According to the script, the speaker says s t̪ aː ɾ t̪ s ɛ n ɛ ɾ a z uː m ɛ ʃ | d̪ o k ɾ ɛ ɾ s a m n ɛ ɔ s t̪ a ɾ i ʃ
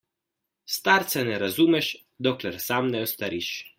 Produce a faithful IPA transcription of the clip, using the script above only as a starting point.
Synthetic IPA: s t̪ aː ɾ t̪ s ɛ n ɛ ɾ a z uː m ɛ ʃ | d̪ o k l ɛ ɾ s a m n ɛ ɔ s t̪ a ɾ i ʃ